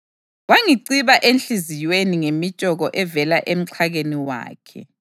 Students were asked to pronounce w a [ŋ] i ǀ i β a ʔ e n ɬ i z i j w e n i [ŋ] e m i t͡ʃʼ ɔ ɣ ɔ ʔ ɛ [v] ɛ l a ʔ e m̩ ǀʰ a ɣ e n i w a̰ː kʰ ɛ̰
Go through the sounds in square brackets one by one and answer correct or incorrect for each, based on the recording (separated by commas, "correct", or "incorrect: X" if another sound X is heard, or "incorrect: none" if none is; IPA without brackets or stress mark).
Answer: correct, correct, correct